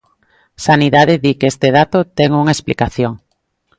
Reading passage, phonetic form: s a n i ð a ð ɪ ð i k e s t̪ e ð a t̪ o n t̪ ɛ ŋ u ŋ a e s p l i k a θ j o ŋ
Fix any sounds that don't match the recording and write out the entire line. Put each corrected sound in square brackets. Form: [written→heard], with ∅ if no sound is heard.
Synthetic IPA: s a n i ð a ð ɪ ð i k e s t̪ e ð a t̪ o [n→∅] t̪ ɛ ŋ u ŋ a e s p l i k a θ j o ŋ